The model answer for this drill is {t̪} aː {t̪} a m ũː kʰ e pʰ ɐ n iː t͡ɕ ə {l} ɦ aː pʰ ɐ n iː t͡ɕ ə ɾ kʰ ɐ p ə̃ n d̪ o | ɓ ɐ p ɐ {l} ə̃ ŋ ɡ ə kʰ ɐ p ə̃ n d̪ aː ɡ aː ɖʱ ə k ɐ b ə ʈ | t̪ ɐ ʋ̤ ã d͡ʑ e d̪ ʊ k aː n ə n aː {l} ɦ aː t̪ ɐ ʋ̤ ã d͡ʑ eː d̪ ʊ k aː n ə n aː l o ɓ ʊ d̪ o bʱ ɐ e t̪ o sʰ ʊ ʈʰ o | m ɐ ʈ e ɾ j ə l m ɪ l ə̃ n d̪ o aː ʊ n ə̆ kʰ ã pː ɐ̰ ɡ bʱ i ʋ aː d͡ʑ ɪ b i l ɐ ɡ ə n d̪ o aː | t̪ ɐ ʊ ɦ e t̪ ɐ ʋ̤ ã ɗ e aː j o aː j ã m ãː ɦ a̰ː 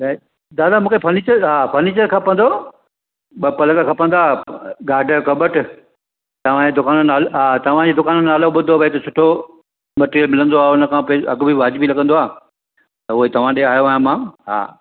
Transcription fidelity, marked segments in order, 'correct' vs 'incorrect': incorrect, incorrect, incorrect, correct, correct

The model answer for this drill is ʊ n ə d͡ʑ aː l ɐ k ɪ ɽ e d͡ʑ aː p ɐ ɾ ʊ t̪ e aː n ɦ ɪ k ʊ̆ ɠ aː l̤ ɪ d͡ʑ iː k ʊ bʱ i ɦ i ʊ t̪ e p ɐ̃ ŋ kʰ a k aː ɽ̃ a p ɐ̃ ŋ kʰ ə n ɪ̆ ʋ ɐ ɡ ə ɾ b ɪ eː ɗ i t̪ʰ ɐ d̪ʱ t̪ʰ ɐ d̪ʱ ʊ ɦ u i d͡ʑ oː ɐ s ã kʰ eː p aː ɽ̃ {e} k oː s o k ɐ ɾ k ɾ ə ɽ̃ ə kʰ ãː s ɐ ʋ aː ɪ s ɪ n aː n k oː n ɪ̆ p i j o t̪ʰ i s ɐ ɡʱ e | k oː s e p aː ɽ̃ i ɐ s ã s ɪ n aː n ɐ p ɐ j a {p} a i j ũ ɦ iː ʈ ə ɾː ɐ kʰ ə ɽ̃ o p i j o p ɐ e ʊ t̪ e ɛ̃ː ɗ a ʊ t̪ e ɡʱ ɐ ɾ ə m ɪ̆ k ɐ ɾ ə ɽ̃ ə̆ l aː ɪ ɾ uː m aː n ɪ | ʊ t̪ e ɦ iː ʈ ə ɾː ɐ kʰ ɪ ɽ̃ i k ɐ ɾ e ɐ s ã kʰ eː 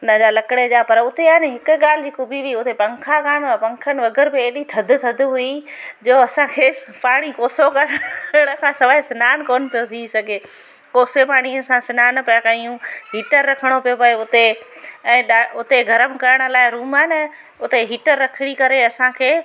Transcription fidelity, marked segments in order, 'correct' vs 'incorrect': incorrect, incorrect

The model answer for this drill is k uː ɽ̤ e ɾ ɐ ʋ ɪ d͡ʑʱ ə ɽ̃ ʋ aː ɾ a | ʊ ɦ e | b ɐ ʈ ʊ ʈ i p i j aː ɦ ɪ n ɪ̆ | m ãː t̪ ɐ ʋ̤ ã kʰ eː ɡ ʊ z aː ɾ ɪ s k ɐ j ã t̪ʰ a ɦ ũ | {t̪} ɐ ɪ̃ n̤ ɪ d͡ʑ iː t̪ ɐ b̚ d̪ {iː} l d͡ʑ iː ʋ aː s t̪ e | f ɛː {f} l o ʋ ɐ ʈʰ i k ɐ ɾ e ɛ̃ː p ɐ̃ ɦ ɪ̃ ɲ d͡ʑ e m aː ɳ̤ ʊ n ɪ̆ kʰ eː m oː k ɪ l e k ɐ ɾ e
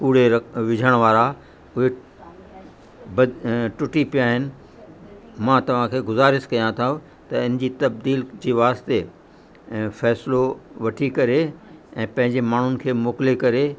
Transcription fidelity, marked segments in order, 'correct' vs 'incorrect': correct, correct, incorrect

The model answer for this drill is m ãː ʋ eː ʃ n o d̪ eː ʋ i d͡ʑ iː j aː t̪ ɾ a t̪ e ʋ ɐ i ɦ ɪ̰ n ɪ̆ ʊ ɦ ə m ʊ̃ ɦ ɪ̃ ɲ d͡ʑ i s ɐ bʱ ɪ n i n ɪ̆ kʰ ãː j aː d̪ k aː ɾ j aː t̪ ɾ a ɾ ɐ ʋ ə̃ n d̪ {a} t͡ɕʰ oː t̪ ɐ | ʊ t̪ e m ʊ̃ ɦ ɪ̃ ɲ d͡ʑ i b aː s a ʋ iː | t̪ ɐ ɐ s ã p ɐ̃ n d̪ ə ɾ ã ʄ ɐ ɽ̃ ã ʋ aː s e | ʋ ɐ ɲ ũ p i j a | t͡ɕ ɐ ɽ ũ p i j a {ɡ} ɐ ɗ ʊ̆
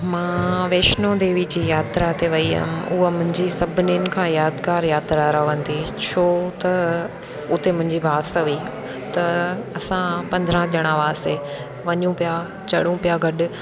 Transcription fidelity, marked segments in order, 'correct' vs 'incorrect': incorrect, correct

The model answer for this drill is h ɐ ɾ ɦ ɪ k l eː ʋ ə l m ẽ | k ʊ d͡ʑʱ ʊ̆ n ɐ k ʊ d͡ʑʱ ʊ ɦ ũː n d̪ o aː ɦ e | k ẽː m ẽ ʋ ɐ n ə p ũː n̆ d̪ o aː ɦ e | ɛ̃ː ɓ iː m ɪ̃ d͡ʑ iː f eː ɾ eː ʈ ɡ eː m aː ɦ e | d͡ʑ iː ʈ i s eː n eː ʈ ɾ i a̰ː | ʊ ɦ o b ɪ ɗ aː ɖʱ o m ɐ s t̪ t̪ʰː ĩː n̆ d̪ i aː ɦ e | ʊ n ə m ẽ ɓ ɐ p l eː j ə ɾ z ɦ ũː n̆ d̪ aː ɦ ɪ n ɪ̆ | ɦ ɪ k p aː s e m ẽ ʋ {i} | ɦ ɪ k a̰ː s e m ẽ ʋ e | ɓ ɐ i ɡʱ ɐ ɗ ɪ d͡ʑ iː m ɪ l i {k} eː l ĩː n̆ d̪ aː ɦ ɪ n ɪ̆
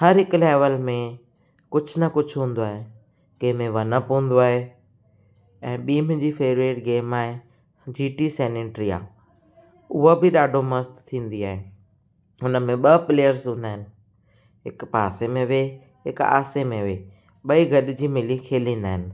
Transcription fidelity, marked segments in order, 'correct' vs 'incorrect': incorrect, incorrect

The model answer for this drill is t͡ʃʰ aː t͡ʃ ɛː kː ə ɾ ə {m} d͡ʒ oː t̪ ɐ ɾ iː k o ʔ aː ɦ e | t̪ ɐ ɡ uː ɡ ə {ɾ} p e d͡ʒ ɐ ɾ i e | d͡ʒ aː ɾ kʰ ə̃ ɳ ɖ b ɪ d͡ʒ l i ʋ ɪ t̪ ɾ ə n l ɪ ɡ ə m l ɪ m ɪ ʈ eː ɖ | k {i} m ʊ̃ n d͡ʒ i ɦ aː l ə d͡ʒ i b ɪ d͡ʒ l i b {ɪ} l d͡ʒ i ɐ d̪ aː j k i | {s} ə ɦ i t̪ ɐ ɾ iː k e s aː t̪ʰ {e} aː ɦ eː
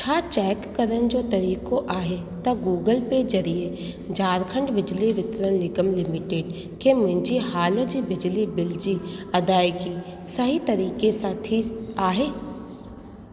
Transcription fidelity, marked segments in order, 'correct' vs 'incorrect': incorrect, incorrect, incorrect, correct, correct, incorrect

